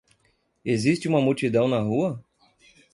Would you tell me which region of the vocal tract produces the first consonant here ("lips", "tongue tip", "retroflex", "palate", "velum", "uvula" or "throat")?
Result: tongue tip